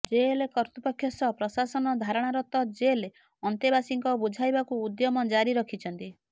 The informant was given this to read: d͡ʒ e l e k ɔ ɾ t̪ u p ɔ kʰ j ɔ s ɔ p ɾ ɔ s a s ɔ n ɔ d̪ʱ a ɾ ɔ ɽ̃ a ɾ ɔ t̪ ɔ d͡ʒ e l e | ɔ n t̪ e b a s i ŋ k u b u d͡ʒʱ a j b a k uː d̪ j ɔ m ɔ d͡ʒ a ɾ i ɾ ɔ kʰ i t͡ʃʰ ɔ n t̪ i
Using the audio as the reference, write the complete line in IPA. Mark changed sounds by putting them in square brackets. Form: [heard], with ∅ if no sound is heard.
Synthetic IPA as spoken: d͡ʒ e l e k ɔ ɾ t̪ u p ɔ kʰ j ɔ s ɔ p ɾ ɔ s a s ɔ n ɔ d̪ʱ a ɾ ɔ ɽ̃ a ɾ ɔ t̪ ɔ d͡ʒ e l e | ɔ n t̪ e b a s i ŋ k [ɔ] b u d͡ʒʱ a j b a k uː d̪ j ɔ m ɔ d͡ʒ a ɾ i ɾ ɔ kʰ i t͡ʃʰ ɔ n t̪ i

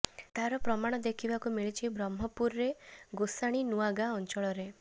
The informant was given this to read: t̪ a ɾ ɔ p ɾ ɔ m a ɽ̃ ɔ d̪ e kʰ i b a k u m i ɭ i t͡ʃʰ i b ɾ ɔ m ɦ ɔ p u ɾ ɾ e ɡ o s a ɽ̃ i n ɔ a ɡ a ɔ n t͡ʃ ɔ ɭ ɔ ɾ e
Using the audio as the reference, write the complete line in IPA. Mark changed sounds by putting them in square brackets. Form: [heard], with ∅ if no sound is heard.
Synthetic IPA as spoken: t̪ a ɾ ɔ p ɾ ɔ m a ɽ̃ ɔ d̪ e kʰ i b a k u m i ɭ i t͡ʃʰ i b ɾ ɔ m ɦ ɔ p u ɾ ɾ e ɡ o s a ɽ̃ i n [u] a ɡ a ɔ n t͡ʃ ɔ ɭ ɔ ɾ e

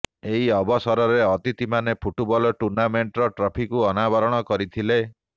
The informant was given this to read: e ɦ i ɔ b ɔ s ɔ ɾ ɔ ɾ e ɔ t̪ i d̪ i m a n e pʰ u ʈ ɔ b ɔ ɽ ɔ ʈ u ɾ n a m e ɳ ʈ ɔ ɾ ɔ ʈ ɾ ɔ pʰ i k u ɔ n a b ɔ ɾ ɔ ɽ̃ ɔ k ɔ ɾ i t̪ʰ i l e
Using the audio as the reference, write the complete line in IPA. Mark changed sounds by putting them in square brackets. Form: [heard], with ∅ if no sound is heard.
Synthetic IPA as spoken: e ɦ i ɔ b ɔ s ɔ ɾ ɔ ɾ e ɔ t̪ i [t̪] i m a n e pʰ u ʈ [u] b ɔ [l] ɔ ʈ u ɾ n a m e ɳ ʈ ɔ ɾ ɔ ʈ ɾ ɔ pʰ i k u ɔ n a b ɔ ɾ ɔ ɽ̃ ɔ k ɔ ɾ i t̪ʰ i l e

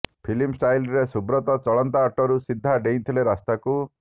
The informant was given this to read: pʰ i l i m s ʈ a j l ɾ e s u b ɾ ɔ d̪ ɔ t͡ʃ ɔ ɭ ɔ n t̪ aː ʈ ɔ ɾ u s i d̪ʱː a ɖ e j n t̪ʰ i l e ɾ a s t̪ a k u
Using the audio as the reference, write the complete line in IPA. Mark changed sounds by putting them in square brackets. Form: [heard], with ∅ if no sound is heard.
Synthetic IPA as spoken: pʰ i l i m s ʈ a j l ɾ e s u b ɾ ɔ [t̪] ɔ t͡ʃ ɔ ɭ ɔ n t̪ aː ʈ ɔ ɾ u s i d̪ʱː a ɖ e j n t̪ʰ i l e ɾ a s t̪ a k u

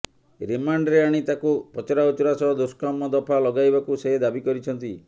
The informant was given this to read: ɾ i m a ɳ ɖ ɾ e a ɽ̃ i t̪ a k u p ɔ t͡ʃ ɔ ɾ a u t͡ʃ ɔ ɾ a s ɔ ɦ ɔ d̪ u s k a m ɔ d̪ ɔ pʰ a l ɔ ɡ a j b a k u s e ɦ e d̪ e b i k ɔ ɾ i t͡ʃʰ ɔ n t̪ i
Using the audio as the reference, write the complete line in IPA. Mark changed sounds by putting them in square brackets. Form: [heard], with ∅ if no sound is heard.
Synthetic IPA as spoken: ɾ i m a ɳ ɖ ɾ e a ɽ̃ i t̪ a k u p ɔ t͡ʃ ɔ ɾ a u t͡ʃ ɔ ɾ a s ɔ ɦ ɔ d̪ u s k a m ɔ d̪ ɔ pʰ a l ɔ ɡ a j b a k u s e ɦ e d̪ [a] b i k ɔ ɾ i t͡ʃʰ ɔ n t̪ i

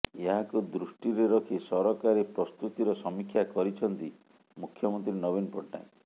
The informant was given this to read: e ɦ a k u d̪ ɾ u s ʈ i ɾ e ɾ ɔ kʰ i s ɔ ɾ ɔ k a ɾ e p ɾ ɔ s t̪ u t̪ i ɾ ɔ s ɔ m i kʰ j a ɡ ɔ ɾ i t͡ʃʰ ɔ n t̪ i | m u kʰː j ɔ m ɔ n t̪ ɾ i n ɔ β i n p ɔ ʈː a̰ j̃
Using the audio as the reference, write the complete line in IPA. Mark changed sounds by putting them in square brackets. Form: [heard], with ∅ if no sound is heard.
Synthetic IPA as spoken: e ɦ a k u d̪ ɾ u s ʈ i ɾ e ɾ ɔ kʰ i s ɔ ɾ ɔ k a ɾ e p ɾ ɔ s t̪ u t̪ i ɾ ɔ s ɔ m i kʰ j a [k] ɔ ɾ i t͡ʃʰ ɔ n t̪ i | m u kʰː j ɔ m ɔ n t̪ ɾ i n ɔ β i n p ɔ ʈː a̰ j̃

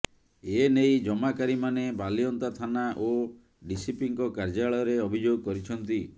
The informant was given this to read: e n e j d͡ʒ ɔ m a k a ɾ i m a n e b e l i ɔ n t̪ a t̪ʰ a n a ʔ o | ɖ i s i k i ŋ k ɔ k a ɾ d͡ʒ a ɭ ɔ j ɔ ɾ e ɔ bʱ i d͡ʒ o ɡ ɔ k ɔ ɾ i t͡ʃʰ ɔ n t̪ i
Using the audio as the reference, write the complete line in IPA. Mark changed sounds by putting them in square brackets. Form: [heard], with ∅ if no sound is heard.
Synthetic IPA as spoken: e n e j d͡ʒ ɔ m a k a ɾ i m a n e b [a] l i ɔ n t̪ a t̪ʰ a n a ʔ o | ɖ i s i [p] i ŋ k ɔ k a ɾ d͡ʒ a ɭ ɔ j ɔ ɾ e ɔ bʱ i d͡ʒ o ɡ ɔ k ɔ ɾ i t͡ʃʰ ɔ n t̪ i

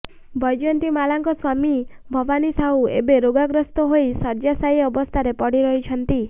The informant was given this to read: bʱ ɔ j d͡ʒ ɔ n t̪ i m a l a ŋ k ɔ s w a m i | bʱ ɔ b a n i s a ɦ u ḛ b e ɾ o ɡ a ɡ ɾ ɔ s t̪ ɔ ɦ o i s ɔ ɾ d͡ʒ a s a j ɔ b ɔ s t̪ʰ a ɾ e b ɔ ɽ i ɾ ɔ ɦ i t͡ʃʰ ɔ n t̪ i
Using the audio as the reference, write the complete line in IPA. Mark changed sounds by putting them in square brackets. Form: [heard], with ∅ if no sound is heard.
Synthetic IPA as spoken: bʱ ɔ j d͡ʒ ɔ n t̪ i m a l a ŋ k ɔ s w a m i | bʱ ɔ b a n i s a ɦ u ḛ b e ɾ o ɡ a ɡ ɾ ɔ s t̪ ɔ ɦ o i s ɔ ɾ d͡ʒ a s a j ɔ b ɔ s t̪ʰ a ɾ e [p] ɔ ɽ i ɾ ɔ ɦ i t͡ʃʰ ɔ n t̪ i

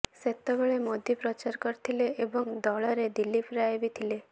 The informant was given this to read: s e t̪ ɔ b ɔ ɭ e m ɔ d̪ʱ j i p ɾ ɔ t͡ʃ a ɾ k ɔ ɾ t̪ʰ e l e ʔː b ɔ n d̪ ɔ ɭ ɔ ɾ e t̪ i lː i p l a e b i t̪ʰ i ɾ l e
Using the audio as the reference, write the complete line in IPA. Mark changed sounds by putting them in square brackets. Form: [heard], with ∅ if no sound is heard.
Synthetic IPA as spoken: s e t̪ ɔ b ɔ ɭ e m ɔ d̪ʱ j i p ɾ ɔ t͡ʃ a ɾ k ɔ ɾ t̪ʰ [i] l e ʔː b ɔ [ŋ] d̪ ɔ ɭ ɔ ɾ e [d̪] i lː i p [ɾ] a e b i t̪ʰ i [∅] l e

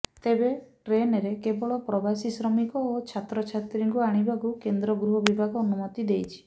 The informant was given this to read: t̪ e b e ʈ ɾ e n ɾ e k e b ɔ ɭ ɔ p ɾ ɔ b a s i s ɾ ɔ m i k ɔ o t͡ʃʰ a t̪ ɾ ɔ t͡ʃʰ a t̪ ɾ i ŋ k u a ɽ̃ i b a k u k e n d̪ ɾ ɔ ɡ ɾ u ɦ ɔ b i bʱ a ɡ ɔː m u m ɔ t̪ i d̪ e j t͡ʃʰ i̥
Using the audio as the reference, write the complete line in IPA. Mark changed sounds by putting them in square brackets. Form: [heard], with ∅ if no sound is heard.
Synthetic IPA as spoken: t̪ e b e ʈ ɾ e n ɾ e k e b ɔ ɭ ɔ p ɾ ɔ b a s i s ɾ ɔ m i k ɔ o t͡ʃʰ a t̪ ɾ ɔ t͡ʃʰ a t̪ ɾ i ŋ k u a ɽ̃ i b a k u k e n d̪ ɾ ɔ ɡ ɾ u ɦ ɔ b i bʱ a ɡ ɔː [n] u m ɔ t̪ i d̪ e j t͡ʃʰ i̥

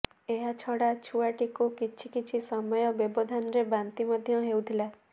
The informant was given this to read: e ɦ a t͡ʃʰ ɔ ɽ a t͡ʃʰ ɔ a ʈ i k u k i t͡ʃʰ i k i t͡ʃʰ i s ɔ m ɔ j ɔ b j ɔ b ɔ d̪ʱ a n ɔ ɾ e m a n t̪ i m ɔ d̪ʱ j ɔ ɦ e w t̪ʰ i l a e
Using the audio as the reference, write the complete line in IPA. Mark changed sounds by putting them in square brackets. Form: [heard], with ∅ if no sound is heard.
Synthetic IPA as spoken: e ɦ a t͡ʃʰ ɔ ɽ a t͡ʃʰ [u] a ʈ i k u k i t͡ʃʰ i k i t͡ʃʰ i s ɔ m ɔ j ɔ b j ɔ b ɔ d̪ʱ a n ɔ ɾ e [b] a n t̪ i m ɔ d̪ʱ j ɔ ɦ e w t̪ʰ i l a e

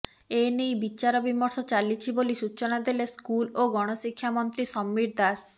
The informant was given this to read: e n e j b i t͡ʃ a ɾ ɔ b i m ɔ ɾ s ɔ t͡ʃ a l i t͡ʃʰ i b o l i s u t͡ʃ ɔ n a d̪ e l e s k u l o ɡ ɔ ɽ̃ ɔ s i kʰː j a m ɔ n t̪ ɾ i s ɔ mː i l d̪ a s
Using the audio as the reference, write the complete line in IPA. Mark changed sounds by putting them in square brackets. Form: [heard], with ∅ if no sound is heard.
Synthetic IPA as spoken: e n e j b i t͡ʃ a ɾ ɔ b i m ɔ ɾ s ɔ t͡ʃ a l i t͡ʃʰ i b o l i s u t͡ʃ ɔ n a d̪ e l e s k u l o ɡ ɔ ɽ̃ ɔ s i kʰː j a m ɔ n t̪ ɾ i s ɔ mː i [ɾ] d̪ a s

